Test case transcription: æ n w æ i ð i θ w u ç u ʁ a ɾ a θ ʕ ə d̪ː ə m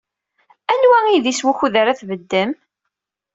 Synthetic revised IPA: æ n w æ i ð i s w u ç u ð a ɾ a θ v ə d̪ː ə m